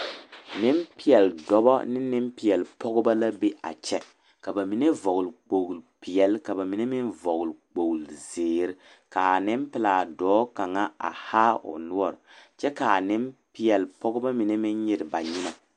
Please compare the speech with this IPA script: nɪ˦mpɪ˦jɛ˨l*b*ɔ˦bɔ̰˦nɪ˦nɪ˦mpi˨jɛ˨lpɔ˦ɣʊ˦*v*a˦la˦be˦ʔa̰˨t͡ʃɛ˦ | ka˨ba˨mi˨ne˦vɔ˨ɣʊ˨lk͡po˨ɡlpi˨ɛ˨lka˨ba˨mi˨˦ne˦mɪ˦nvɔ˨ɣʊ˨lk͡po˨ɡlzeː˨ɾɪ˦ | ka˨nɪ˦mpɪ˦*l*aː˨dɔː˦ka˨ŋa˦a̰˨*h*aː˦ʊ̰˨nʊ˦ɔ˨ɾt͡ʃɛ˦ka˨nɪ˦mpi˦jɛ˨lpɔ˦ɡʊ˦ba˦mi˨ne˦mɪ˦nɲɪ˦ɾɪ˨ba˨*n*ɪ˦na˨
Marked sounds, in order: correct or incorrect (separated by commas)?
incorrect, incorrect, correct, correct, incorrect